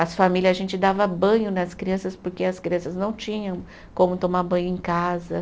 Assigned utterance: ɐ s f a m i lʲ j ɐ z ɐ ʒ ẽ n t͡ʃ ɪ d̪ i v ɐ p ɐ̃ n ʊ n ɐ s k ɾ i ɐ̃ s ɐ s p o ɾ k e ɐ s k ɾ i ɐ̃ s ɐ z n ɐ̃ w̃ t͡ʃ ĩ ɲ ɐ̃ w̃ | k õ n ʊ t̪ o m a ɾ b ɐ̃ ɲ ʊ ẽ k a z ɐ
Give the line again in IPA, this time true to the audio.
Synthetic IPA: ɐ s f a m i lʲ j ɐ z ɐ ʒ ẽ n t͡ʃ ɪ d̪ a v ɐ b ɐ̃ ɲ ʊ n ɐ s k ɾ i ɐ̃ s ɐ s p o ɾ k e ɐ s k ɾ i ɐ̃ s ɐ z n ɐ̃ w̃ t͡ʃ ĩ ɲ ɐ̃ w̃ | k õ m ʊ t̪ o m a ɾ b ɐ̃ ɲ ʊ ẽ k a z ɐ